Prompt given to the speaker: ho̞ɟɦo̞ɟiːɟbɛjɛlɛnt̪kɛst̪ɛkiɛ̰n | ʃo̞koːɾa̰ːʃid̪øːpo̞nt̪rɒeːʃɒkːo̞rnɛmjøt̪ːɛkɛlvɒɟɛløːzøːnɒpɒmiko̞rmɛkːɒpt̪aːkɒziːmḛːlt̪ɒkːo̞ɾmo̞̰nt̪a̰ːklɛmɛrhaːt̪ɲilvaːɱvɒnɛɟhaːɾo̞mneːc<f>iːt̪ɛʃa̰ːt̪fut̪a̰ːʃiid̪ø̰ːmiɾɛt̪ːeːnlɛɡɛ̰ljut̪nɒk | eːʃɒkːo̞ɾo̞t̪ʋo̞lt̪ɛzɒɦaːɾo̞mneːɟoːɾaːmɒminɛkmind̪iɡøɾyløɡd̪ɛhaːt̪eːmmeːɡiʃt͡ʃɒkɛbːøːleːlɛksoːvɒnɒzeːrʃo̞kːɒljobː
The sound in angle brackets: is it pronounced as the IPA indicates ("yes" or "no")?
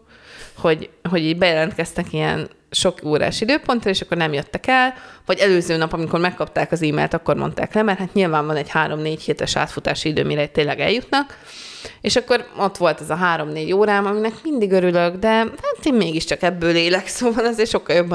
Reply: no